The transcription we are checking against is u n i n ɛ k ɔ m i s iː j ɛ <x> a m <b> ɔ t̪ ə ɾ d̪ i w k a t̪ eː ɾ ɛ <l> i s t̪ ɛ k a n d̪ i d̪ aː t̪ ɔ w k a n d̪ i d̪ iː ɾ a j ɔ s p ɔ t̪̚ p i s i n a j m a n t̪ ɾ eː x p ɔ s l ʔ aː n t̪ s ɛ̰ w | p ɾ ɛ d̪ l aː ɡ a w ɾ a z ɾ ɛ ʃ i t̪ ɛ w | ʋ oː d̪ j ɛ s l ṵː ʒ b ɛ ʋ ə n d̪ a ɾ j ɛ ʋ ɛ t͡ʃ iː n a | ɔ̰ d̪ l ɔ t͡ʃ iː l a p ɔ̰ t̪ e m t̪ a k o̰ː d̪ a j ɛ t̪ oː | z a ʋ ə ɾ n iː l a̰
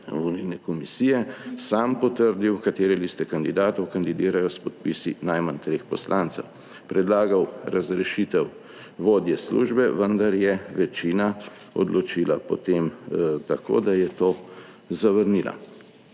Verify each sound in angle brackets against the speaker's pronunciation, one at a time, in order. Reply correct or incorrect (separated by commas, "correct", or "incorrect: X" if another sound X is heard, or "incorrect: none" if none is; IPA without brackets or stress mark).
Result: incorrect: s, incorrect: p, correct